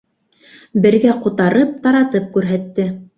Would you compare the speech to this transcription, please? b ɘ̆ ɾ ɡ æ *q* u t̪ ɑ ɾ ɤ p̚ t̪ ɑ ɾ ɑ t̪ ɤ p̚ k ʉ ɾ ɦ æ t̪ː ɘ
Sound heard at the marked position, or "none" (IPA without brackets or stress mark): q